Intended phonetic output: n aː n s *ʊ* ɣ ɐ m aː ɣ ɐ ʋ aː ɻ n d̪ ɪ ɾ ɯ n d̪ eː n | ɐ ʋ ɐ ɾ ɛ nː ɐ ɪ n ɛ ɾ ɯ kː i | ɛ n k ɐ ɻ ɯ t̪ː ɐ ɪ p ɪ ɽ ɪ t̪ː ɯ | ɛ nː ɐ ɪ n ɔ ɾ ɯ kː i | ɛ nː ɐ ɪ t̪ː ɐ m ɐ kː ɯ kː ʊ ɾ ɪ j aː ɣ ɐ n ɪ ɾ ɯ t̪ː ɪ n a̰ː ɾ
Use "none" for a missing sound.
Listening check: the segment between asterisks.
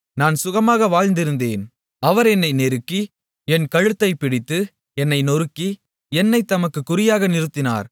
ʊ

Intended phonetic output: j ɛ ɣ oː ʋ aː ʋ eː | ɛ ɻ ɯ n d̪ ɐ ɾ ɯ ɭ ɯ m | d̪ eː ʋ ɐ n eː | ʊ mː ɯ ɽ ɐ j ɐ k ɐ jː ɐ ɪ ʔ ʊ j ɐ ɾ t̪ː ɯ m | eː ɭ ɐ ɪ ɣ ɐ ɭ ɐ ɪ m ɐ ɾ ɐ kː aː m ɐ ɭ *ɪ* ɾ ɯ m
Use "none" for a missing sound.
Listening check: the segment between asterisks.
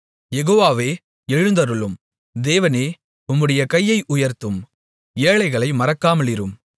ɪ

